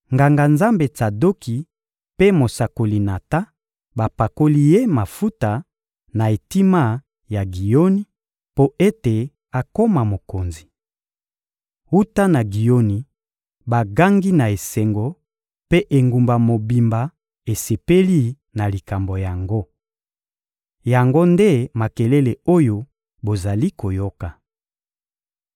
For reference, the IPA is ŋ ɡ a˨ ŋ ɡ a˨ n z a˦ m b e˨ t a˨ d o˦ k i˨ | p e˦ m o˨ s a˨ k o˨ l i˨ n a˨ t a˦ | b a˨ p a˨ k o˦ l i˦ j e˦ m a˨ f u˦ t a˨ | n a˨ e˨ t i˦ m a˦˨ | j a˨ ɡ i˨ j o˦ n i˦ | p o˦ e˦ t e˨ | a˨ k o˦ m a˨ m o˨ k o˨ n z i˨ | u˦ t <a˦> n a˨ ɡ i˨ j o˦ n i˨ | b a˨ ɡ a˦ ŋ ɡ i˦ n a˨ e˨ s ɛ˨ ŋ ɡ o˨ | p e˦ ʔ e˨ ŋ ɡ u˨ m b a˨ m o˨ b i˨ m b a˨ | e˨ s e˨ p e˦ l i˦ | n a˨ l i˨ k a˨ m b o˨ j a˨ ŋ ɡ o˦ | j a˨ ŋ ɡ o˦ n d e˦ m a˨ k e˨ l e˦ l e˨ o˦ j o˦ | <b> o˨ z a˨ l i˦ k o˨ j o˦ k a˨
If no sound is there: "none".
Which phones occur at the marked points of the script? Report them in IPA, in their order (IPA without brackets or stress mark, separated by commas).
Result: a˦, b